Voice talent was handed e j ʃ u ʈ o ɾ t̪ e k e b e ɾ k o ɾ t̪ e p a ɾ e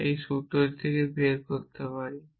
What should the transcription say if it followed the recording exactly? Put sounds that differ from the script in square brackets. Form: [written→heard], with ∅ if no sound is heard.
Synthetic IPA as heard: e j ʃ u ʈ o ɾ [t̪→t̪ʰ] e k e b e ɾ k o ɾ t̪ e p a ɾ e